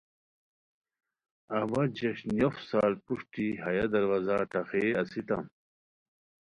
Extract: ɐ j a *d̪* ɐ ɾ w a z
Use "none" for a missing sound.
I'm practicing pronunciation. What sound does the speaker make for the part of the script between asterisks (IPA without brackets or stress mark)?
d̪